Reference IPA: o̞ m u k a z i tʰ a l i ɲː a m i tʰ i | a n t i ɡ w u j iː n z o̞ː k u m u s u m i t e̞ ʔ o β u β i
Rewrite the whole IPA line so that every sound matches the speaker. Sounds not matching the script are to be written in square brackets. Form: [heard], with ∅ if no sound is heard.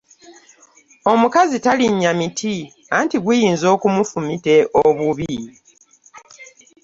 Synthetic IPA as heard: o̞ m u k a z i [t] a l i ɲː a m i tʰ i | a n t i ɡ w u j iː n z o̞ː k u m u [f] u m i t e̞ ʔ o β u β i

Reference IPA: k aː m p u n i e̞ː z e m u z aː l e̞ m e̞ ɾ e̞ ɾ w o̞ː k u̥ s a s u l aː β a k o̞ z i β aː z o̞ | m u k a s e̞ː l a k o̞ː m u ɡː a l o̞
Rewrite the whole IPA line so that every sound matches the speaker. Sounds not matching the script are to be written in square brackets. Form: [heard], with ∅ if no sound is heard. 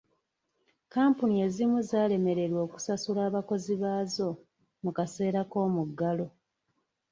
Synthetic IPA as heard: k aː m p u n i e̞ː z [i] m u z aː l e̞ m e̞ ɾ e̞ ɾ w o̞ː k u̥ s a s u l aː β a k o̞ z i β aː z o̞ | m u k a s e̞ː [ɾ] a k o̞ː m u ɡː a l o̞

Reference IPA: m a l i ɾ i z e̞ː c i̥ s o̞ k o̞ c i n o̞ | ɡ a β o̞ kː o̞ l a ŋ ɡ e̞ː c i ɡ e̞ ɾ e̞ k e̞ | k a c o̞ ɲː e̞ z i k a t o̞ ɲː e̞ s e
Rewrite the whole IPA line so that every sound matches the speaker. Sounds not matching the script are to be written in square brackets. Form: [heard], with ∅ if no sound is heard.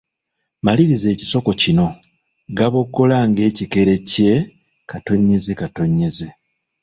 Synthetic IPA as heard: m a l i ɾ i z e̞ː c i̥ s o̞ k o̞ c i n o̞ | ɡ a β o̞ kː o̞ l a ŋ ɡ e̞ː c i [k] e̞ ɾ e̞ [c] e̞ | k a [t] o̞ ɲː e̞ z [e] k a t o̞ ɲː e̞ [z] e

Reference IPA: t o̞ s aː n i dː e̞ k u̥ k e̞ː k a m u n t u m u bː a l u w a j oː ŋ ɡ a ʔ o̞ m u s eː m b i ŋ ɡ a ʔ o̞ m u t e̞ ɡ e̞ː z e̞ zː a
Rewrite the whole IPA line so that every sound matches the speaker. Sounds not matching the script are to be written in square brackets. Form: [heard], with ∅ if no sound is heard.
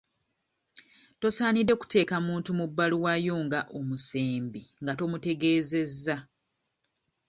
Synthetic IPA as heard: t o̞ s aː n i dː e̞ k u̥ [t] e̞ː k a m [uː] n t u m u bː a l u w a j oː ŋ ɡ a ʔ o̞ m u s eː m b i ŋ ɡ a [t] o̞ m u t e̞ ɡ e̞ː z e̞ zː a

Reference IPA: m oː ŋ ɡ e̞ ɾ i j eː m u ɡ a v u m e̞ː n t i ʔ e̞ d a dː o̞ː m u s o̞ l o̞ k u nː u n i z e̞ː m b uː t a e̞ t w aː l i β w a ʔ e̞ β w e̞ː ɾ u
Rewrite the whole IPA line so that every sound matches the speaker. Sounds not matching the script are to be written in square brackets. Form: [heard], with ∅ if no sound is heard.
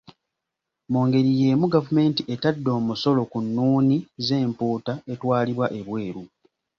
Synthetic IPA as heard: m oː ŋ ɡ e̞ ɾ i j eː m u ɡ a v u m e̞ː n t i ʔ e̞ [t] a dː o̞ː m u s o̞ l o̞ k u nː [uː] n i z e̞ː m [p] uː t a e̞ t w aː l i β w a ʔ e̞ β w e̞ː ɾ u

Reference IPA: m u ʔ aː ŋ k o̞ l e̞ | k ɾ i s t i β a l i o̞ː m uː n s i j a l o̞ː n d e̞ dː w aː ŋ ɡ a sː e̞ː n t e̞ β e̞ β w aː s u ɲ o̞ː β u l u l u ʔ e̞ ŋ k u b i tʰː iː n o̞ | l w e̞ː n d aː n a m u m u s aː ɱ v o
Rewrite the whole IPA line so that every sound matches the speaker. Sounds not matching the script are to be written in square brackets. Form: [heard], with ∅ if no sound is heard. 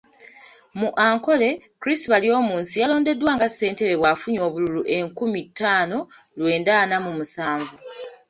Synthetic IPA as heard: m u ʔ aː ŋ k o̞ l e̞ | k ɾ i s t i β a l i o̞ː m uː n s i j a l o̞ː n d e̞ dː w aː ŋ ɡ a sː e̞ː n t e̞ β e̞ β w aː [f] u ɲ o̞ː β u l u l u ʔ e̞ ŋ k u [m] i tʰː [aː] n o̞ | l w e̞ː n d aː n a m u m u s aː ɱ v [u]

